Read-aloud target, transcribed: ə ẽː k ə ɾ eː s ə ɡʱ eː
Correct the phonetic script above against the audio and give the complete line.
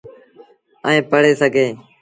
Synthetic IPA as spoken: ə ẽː p ə ɽ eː s ə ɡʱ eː